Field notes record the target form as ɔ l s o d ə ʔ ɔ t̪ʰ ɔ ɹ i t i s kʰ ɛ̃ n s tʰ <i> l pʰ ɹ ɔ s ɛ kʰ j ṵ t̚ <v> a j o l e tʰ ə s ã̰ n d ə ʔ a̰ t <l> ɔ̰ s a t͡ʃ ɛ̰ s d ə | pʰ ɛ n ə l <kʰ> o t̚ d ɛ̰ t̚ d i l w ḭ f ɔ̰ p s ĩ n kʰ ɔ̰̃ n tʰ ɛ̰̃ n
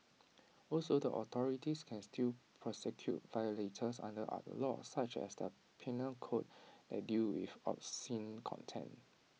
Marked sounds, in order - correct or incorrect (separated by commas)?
correct, correct, correct, correct